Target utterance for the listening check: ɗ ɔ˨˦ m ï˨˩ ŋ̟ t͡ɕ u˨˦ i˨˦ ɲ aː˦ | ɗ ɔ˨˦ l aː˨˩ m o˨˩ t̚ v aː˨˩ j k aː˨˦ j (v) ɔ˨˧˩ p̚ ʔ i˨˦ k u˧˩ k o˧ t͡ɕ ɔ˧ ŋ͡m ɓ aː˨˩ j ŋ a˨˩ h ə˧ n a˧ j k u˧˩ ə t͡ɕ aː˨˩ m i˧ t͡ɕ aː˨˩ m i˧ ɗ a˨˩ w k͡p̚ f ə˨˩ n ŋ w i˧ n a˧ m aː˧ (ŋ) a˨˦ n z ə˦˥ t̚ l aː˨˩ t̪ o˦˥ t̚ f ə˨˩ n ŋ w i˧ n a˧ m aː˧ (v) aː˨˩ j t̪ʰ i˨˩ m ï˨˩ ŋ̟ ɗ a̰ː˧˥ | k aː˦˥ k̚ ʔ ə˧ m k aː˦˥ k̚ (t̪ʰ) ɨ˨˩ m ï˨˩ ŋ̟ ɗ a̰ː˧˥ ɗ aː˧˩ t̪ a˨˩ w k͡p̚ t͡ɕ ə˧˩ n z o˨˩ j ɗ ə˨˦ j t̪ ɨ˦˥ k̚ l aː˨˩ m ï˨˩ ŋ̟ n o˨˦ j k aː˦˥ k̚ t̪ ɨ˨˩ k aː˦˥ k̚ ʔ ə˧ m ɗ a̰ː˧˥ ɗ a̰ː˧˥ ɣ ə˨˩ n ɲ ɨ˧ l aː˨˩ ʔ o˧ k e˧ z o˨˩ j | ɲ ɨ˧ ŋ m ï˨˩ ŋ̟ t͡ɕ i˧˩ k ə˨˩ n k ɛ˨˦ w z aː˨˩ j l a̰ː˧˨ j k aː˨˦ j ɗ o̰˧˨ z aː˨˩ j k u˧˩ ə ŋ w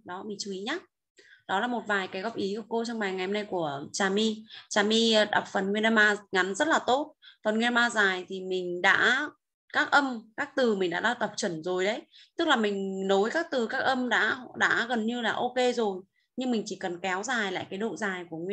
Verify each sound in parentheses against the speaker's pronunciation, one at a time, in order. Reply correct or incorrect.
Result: incorrect: ɣ, correct, incorrect: z, incorrect: t̪

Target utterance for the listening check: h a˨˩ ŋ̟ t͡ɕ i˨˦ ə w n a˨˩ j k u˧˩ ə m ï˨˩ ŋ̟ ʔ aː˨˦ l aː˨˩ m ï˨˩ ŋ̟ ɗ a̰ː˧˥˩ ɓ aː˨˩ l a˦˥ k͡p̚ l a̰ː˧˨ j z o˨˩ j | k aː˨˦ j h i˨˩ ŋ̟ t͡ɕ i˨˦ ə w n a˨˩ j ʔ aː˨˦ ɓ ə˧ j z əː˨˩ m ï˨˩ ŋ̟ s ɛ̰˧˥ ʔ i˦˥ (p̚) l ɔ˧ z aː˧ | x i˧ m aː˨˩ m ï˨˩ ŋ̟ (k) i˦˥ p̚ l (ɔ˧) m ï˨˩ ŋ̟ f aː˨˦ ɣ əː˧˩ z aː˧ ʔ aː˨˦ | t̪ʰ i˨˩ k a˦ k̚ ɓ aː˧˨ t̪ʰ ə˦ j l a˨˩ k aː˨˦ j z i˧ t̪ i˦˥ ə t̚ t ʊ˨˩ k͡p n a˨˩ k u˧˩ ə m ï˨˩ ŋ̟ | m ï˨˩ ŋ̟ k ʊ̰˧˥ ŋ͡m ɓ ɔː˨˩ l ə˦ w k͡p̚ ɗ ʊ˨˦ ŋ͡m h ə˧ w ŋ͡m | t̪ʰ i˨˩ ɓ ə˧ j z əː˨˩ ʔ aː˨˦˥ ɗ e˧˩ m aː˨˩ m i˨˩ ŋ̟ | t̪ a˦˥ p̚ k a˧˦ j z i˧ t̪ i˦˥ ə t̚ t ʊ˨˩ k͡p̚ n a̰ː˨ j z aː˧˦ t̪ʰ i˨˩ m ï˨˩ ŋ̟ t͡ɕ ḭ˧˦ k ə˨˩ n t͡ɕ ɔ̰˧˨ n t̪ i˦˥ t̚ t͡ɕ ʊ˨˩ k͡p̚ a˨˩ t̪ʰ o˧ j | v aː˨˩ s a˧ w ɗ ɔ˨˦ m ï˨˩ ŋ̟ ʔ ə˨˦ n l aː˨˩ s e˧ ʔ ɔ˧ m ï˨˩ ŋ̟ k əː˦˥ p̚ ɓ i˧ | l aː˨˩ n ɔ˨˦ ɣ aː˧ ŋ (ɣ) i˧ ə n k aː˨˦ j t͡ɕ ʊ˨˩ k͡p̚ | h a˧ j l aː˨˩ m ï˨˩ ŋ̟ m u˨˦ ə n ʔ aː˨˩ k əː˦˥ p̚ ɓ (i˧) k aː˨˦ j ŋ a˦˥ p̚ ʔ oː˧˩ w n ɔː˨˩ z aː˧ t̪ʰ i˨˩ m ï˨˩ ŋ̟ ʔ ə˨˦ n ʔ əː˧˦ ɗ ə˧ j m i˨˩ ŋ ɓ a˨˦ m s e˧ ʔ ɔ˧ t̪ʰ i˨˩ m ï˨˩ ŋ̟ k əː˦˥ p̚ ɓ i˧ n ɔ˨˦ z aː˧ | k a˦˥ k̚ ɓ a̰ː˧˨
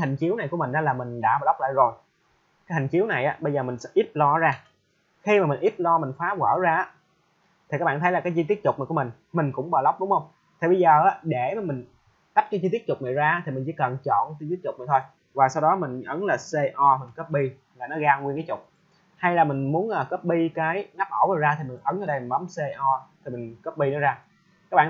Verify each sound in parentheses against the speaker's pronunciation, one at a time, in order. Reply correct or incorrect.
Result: correct, incorrect: ʔ, correct, incorrect: w, correct

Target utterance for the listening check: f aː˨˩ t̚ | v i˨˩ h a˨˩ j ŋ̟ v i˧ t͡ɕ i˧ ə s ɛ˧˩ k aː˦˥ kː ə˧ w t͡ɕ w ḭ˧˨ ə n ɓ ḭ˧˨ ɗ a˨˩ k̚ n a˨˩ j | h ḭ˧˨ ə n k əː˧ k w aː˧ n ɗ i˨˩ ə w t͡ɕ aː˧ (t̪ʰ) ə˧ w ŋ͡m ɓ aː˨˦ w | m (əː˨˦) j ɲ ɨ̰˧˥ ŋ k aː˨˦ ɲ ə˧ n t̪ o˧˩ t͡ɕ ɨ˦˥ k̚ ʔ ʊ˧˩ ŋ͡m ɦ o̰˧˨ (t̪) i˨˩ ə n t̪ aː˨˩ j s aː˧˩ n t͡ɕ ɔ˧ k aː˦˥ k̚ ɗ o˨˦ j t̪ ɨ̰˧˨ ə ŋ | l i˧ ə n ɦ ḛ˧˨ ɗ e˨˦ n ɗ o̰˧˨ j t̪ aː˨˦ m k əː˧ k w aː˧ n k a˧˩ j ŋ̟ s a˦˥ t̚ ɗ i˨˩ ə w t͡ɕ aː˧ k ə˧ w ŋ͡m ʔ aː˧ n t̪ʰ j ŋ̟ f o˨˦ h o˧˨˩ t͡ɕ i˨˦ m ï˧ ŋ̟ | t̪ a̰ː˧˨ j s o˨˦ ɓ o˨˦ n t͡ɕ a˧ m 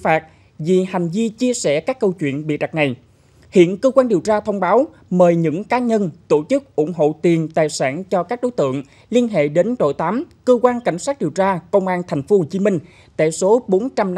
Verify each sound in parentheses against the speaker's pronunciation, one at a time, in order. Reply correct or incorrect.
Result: correct, incorrect: əː˨˩, correct

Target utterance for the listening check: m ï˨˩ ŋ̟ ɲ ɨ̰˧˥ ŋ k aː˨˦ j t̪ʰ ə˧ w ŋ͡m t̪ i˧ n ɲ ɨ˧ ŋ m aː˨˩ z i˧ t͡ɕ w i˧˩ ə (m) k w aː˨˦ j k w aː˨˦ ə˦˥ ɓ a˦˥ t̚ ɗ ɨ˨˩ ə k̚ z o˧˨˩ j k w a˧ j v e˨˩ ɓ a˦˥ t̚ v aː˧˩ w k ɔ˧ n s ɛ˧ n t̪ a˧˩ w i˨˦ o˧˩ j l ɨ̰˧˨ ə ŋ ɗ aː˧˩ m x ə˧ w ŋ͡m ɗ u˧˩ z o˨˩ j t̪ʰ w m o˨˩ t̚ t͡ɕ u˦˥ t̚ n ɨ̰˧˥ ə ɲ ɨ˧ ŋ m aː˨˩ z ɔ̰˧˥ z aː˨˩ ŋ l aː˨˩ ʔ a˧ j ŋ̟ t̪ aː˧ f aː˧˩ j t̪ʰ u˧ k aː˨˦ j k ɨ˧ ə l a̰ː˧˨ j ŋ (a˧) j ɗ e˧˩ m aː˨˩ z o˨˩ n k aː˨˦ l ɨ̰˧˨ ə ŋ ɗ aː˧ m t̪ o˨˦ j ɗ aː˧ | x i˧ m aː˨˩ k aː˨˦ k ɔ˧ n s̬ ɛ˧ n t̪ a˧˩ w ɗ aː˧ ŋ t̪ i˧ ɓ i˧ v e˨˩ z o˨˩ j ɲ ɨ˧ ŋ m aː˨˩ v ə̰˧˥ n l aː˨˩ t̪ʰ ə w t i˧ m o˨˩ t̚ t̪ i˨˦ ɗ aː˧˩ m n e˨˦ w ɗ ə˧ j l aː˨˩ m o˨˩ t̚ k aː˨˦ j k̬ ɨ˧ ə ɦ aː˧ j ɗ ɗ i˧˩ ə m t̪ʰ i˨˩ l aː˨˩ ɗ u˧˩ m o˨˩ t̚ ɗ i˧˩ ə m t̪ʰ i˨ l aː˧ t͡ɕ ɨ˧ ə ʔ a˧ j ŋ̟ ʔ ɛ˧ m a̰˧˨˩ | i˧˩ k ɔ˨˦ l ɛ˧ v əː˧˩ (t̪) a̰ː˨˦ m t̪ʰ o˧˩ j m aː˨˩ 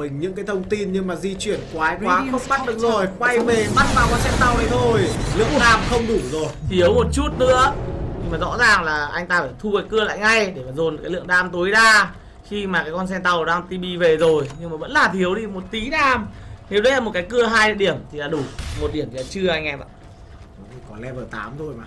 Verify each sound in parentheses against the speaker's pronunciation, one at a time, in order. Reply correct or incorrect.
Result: incorrect: n, correct, correct

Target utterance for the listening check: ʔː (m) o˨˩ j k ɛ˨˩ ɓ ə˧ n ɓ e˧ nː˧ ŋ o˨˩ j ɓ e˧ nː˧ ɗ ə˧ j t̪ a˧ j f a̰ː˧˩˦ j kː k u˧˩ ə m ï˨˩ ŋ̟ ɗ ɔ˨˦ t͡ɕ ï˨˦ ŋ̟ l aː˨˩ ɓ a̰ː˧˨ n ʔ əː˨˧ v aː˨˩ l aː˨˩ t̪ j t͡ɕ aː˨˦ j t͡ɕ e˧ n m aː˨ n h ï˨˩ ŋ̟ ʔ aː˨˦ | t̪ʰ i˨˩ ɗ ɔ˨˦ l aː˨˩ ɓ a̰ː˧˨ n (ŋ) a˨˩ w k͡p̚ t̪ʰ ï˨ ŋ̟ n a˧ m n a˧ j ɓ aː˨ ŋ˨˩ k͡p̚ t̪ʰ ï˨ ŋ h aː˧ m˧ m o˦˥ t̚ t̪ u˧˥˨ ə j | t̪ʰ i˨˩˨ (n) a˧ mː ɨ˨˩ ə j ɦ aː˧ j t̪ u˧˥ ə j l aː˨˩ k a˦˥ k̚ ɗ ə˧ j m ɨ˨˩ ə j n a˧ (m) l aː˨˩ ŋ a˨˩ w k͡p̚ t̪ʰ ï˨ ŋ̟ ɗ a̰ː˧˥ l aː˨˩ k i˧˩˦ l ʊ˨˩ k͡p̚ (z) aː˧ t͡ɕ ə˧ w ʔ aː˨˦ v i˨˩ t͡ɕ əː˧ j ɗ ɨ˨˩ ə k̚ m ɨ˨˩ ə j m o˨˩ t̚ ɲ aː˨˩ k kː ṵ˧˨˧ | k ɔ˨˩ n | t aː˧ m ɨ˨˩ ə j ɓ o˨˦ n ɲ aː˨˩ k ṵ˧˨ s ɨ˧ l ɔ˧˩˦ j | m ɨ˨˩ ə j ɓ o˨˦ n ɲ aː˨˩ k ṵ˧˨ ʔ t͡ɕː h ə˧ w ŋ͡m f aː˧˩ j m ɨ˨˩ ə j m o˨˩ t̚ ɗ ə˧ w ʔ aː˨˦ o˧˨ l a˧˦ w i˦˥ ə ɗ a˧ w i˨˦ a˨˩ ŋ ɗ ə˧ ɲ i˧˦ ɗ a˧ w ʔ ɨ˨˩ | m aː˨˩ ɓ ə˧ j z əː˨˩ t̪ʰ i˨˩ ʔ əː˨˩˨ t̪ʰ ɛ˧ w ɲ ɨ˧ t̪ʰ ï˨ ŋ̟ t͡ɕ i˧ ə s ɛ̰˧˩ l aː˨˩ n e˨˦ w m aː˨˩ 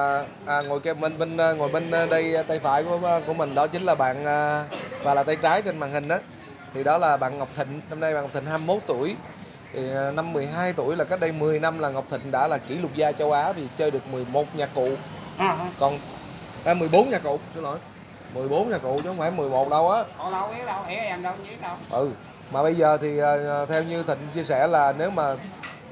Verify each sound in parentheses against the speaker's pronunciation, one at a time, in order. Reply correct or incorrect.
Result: incorrect: ŋ, correct, correct, correct, correct

